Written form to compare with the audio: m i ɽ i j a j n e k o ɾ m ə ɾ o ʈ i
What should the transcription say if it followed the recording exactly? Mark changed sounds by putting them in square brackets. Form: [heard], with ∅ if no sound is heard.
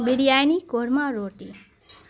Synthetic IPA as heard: [b] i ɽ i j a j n [i] k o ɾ m [a] ɾ o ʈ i